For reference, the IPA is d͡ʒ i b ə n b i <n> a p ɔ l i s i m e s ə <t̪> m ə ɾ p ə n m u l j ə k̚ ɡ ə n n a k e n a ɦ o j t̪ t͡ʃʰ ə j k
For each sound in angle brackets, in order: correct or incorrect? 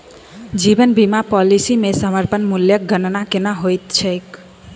incorrect: m, incorrect: none

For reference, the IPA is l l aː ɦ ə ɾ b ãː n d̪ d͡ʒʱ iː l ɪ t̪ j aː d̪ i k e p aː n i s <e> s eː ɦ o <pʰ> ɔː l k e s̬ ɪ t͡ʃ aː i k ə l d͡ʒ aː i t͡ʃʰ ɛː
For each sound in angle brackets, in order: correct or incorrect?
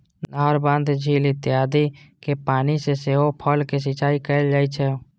correct, correct

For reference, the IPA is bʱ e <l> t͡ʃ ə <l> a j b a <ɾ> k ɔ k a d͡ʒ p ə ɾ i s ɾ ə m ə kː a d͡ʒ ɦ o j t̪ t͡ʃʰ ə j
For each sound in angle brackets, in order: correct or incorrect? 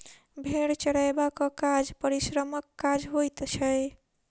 incorrect: ɽ, incorrect: ɽ, incorrect: none

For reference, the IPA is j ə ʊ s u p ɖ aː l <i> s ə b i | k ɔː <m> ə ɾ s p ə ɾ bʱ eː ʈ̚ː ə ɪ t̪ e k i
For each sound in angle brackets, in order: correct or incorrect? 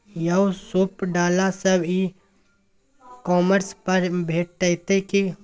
incorrect: a, correct

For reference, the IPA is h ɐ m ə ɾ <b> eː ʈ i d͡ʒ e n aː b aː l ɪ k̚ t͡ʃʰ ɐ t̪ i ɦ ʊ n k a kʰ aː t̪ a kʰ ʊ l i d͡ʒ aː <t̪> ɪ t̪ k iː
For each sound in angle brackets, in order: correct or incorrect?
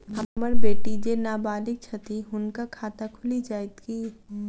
correct, incorrect: none

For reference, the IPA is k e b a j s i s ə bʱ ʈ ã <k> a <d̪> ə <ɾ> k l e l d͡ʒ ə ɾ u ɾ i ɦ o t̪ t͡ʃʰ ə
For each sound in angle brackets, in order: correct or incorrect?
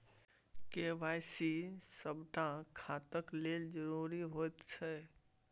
incorrect: kʰ, incorrect: t̪, incorrect: none

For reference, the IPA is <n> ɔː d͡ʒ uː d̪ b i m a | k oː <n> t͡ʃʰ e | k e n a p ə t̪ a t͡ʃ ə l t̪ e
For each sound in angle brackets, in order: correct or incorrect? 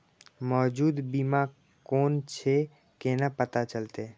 incorrect: m, correct

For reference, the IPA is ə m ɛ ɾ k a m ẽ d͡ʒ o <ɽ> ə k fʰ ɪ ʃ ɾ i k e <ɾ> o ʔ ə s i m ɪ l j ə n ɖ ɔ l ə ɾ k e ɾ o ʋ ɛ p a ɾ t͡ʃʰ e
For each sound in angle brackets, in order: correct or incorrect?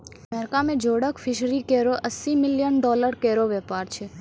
correct, correct

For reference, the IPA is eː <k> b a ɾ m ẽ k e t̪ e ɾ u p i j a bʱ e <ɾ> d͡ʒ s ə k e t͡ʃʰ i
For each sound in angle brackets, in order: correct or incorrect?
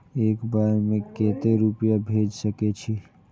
correct, incorrect: none

